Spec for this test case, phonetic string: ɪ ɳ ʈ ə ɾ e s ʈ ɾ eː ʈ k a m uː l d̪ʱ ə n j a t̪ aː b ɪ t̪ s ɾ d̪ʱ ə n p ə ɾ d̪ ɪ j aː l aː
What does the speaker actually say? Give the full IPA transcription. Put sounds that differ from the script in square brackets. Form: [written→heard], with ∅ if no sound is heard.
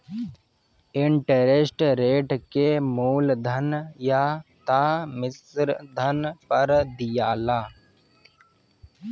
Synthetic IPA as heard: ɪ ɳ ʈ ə ɾ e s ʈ ɾ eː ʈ k [a→e] m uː l d̪ʱ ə n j a t̪ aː [b→m] ɪ [t̪→∅] s ɾ d̪ʱ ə n p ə ɾ d̪ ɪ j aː l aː